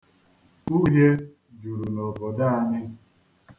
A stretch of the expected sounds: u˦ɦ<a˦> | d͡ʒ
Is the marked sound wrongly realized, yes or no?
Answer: yes